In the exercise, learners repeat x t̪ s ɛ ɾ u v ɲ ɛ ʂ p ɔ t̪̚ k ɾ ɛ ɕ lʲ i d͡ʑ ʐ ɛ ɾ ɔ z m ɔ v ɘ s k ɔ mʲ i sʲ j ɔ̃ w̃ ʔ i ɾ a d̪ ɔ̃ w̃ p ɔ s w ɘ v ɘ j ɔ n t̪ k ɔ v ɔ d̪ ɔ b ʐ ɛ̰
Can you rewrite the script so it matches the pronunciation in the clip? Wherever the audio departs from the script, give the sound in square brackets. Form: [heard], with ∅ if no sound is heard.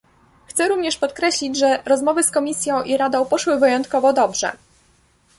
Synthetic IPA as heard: x t̪ s ɛ ɾ u v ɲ ɛ ʂ p ɔ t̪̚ k ɾ ɛ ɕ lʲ i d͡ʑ ʐ ɛ ɾ ɔ z m ɔ v ɘ s k ɔ mʲ i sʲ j ɔ̃ w̃ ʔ i ɾ a d̪ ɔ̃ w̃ p ɔ [ʂ] w ɘ v ɘ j ɔ n t̪ k ɔ v ɔ d̪ ɔ b ʐ ɛ̰